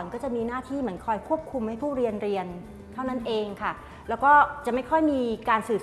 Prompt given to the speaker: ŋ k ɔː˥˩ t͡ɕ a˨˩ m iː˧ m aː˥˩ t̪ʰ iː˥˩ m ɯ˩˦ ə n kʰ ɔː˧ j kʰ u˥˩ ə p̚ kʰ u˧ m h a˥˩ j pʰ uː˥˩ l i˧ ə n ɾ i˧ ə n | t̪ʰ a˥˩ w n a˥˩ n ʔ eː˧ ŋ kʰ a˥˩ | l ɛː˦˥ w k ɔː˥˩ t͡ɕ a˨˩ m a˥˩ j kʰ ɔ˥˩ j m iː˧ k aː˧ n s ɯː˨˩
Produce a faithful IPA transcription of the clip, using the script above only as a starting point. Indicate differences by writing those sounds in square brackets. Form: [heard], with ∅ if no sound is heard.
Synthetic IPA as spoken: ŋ k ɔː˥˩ t͡ɕ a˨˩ m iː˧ [n] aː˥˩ t̪ʰ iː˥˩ m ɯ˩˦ ə n kʰ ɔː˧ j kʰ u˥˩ ə p̚ kʰ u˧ m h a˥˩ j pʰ uː˥˩ [ɾ] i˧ ə n ɾ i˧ ə n | t̪ʰ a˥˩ w n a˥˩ n ʔ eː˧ ŋ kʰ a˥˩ | l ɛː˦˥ w k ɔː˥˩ t͡ɕ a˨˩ m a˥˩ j kʰ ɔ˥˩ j m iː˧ k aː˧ n s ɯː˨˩

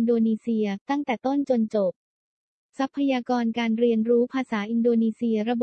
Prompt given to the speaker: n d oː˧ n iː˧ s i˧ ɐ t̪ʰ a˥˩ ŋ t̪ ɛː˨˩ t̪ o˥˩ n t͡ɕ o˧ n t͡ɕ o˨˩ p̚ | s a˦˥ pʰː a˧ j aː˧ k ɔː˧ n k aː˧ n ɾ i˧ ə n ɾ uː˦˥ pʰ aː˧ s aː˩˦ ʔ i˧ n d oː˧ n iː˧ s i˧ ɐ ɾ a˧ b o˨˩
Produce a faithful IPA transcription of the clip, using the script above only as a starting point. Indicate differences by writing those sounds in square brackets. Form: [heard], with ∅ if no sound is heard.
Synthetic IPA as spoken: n d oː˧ n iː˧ s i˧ ɐ [t̪] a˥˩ ŋ t̪ ɛː˨˩ t̪ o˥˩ n t͡ɕ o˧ n t͡ɕ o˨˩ p̚ | s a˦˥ pʰː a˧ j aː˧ k ɔː˧ n k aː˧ n ɾ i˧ ə n ɾ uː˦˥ pʰ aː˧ s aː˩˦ ʔ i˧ n d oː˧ n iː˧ s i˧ ɐ ɾ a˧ b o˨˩

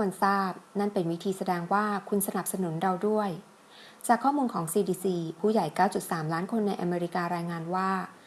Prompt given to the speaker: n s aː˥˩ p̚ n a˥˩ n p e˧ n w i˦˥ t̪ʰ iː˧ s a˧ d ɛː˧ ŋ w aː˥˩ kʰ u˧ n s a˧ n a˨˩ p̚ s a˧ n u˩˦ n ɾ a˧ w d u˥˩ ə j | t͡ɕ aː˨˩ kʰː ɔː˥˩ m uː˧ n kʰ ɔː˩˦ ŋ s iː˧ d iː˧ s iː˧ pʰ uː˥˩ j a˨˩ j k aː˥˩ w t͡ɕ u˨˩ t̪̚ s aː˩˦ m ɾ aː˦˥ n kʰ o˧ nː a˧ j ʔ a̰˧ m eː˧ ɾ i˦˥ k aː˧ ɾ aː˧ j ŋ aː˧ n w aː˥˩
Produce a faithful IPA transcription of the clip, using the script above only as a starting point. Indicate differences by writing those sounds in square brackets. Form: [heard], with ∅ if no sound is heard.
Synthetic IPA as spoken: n s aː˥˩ p̚ n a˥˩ n p e˧ n w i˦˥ t̪ʰ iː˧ s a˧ d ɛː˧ ŋ w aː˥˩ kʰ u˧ n s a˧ n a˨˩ p̚ s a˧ n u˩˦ n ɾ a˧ w d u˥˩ ə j | t͡ɕ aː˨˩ kʰː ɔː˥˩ m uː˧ n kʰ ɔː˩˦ ŋ s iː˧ d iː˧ s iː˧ pʰ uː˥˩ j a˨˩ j k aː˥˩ w t͡ɕ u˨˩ t̪̚ s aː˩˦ m [l] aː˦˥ n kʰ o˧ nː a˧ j ʔ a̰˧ m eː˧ ɾ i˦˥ k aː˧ ɾ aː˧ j ŋ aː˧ n w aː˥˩

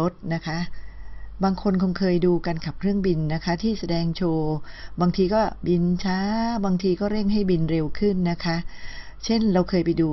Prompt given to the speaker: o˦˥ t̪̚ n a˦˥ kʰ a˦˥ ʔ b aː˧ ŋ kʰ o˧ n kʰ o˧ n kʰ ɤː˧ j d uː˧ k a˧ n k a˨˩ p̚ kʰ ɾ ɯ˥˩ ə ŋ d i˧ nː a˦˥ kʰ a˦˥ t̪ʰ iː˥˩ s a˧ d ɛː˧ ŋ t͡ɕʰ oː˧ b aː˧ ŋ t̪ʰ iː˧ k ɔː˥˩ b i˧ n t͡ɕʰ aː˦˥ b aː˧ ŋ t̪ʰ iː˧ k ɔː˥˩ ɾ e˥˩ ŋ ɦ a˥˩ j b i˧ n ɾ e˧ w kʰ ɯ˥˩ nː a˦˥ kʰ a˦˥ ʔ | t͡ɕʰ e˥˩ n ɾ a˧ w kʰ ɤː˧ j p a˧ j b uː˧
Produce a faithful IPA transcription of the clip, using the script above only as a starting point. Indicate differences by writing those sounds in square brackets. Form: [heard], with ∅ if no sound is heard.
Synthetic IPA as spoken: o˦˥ t̪̚ n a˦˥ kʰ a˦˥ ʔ b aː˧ ŋ kʰ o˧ n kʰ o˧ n kʰ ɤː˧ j d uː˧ k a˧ n k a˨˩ p̚ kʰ ɾ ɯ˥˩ ə ŋ [b] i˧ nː a˦˥ kʰ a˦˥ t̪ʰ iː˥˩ s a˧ d ɛː˧ ŋ t͡ɕʰ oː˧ b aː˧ ŋ t̪ʰ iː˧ k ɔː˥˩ b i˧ n t͡ɕʰ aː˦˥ b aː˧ ŋ t̪ʰ iː˧ k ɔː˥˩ ɾ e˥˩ ŋ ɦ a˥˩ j b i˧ n ɾ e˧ w kʰ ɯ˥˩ nː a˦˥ kʰ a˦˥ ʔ | t͡ɕʰ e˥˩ n ɾ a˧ w kʰ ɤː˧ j p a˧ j [d] uː˧

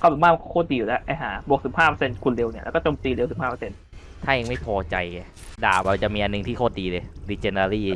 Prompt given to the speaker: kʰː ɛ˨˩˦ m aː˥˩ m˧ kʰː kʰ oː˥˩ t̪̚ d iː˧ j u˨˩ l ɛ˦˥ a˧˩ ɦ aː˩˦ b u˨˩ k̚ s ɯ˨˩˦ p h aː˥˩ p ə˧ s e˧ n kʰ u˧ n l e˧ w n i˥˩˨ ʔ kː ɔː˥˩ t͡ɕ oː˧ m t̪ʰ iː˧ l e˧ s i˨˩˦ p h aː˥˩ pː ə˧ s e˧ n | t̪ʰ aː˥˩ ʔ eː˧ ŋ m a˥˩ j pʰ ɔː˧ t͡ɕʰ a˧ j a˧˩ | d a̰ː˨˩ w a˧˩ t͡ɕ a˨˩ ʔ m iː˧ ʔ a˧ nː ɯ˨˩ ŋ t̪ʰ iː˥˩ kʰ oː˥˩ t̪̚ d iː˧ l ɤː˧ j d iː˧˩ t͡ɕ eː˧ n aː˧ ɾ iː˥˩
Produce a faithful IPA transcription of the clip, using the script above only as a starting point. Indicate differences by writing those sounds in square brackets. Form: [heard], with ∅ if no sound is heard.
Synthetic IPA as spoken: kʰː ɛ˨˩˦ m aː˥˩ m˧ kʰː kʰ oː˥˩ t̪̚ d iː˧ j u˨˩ l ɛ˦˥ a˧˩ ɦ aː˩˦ b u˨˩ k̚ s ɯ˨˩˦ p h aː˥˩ p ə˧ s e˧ n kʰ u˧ n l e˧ w n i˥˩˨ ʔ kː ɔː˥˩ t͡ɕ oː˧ m [t̪] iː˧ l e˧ s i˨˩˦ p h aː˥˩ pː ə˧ s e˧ n | t̪ʰ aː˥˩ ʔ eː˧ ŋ m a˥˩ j pʰ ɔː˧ [t͡ɕ] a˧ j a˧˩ | d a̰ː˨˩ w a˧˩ t͡ɕ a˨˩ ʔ m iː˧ ʔ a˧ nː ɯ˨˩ ŋ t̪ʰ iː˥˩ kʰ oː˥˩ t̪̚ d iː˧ l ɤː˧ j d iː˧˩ t͡ɕ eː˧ n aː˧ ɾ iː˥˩

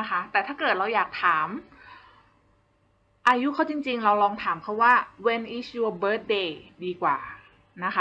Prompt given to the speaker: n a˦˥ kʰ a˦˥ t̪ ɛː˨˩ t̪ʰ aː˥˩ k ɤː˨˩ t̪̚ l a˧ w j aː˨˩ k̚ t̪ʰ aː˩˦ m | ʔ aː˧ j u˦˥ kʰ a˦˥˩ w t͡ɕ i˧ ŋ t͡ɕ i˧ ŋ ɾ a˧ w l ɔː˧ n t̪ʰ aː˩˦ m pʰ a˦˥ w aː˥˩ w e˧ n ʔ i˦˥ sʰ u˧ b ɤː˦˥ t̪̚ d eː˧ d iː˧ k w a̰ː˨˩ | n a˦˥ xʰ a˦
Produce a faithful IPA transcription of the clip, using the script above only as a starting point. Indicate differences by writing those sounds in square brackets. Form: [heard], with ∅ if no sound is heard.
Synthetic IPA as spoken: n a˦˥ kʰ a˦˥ t̪ ɛː˨˩ t̪ʰ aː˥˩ k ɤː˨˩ t̪̚ [ɾ] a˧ w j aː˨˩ k̚ t̪ʰ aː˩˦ m | ʔ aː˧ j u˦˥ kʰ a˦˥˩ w t͡ɕ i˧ ŋ t͡ɕ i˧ ŋ ɾ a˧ w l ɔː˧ [ŋ] t̪ʰ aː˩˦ m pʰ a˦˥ w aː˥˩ w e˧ n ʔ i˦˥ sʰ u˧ b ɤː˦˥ t̪̚ d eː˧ d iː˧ k w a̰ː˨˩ | n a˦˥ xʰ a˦

